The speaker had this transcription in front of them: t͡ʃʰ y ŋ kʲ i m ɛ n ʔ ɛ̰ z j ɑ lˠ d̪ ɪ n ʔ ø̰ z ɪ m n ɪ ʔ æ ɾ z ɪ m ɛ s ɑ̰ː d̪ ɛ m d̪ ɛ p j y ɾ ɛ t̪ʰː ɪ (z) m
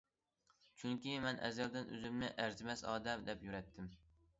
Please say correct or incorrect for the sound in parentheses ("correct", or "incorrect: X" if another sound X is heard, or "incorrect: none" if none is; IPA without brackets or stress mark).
incorrect: none